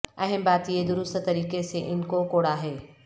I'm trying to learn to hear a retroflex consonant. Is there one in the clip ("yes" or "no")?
yes